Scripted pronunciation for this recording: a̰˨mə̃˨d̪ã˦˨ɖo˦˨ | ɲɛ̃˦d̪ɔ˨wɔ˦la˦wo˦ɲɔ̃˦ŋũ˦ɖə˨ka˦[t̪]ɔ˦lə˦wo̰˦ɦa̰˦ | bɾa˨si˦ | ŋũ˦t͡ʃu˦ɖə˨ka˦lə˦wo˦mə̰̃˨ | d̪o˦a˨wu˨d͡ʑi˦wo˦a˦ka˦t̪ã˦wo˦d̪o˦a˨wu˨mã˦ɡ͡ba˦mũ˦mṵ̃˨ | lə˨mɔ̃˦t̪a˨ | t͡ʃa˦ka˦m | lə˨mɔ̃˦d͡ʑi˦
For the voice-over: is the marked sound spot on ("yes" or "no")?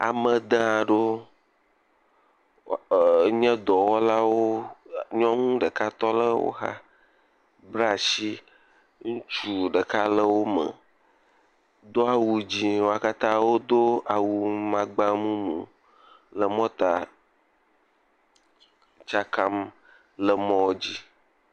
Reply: yes